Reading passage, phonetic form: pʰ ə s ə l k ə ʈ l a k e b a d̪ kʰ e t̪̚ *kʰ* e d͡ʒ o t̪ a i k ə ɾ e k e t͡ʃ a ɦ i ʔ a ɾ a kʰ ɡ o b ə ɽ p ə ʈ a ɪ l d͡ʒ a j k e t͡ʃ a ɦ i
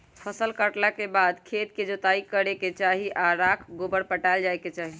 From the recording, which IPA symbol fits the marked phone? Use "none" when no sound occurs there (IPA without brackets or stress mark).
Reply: k